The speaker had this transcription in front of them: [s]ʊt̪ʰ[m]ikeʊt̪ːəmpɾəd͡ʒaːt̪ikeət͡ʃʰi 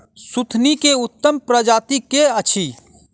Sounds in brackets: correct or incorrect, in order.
correct, incorrect: n

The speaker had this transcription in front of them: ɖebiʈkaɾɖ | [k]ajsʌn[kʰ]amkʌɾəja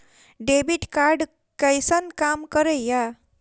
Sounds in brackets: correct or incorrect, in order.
correct, incorrect: k

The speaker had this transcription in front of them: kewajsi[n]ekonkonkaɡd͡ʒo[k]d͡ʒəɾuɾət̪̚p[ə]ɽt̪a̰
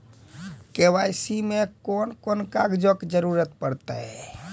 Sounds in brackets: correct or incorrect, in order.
incorrect: m, correct, correct

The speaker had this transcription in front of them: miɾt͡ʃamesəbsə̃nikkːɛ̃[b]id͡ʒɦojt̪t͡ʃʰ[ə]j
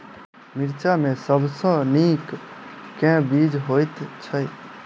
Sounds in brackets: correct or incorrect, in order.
correct, correct

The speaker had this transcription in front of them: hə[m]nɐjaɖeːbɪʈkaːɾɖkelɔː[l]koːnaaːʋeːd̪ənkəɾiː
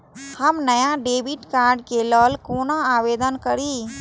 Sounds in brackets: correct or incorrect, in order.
correct, correct

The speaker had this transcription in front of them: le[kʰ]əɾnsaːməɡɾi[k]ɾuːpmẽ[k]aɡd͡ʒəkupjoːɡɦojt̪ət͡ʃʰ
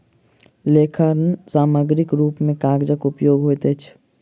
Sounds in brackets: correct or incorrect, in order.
correct, correct, correct

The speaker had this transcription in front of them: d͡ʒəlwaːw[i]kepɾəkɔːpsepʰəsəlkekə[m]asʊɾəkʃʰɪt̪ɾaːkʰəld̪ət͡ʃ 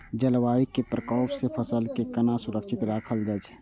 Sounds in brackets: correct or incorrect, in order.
correct, incorrect: n

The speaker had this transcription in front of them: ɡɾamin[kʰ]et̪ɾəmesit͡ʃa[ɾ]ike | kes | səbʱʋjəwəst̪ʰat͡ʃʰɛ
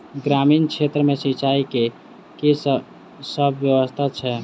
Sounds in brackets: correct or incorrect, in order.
correct, incorrect: none

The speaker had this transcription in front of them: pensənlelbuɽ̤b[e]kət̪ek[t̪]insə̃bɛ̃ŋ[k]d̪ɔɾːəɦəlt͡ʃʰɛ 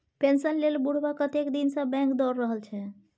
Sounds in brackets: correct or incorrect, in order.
incorrect: a, incorrect: d̪, correct

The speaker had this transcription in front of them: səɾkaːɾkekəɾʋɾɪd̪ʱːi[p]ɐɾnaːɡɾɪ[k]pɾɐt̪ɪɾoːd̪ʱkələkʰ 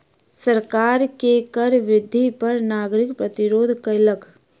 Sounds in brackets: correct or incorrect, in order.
correct, correct

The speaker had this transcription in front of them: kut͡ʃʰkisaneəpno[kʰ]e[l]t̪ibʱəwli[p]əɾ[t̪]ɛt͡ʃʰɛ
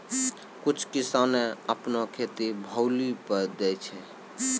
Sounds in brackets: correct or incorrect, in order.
correct, incorrect: none, correct, incorrect: d̪

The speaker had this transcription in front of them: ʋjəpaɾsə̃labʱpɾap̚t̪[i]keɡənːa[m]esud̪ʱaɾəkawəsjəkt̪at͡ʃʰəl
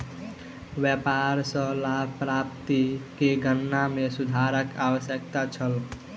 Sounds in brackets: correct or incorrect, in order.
correct, correct

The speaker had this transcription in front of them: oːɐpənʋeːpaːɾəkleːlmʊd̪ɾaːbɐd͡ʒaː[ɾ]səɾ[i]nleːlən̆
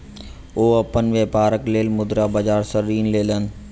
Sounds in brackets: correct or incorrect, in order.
correct, incorrect: iː

